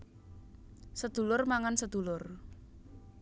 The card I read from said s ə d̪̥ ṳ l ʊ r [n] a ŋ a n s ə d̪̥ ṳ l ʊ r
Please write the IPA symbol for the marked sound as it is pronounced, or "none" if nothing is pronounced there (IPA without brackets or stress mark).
m